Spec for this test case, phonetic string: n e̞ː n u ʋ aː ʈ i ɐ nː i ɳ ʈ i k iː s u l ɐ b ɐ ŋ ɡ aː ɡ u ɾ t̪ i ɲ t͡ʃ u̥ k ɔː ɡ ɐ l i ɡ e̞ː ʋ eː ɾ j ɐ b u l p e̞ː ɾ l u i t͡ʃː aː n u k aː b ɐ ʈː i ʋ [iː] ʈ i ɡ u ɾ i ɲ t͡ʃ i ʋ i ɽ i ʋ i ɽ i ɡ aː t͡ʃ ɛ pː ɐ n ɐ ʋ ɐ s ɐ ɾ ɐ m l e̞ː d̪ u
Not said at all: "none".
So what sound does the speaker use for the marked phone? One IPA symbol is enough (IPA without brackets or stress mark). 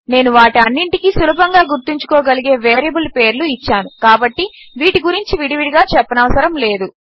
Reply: iː